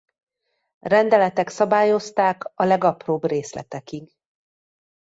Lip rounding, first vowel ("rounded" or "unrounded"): unrounded